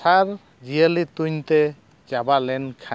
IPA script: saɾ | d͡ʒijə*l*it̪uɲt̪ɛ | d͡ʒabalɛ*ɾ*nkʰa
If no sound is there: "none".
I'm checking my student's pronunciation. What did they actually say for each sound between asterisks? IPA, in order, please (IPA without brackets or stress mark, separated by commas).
l, none